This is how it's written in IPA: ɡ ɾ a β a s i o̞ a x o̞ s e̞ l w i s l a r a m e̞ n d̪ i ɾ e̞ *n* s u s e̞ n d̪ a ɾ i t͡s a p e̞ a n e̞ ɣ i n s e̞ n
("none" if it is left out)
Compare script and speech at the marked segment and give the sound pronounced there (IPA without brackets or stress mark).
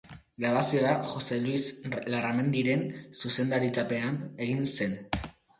n